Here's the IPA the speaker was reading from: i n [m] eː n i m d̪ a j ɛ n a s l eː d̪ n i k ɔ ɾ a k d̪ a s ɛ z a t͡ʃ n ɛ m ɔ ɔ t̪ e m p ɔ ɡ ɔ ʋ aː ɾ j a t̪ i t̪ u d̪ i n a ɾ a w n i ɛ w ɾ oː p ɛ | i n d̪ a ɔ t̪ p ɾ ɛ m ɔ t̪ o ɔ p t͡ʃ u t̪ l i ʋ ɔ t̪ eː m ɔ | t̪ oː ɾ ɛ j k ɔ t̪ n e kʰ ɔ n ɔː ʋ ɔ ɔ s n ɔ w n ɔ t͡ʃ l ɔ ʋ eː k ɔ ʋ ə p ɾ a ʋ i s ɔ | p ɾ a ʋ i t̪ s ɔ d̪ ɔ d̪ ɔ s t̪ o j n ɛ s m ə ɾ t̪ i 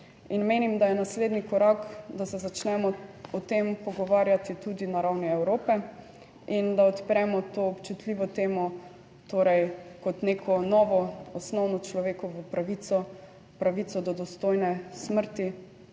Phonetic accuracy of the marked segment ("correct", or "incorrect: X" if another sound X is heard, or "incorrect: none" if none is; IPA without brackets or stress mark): correct